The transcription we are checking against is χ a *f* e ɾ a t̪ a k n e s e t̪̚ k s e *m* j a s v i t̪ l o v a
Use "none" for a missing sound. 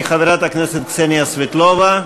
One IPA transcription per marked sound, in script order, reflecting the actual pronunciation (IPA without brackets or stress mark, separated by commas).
v, n